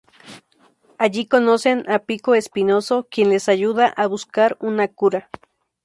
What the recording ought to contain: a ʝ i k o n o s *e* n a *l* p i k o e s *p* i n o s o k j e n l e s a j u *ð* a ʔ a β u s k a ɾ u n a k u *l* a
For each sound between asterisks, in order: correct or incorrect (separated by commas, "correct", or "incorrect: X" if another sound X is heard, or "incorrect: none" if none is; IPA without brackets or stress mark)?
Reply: correct, incorrect: none, correct, correct, incorrect: ɾ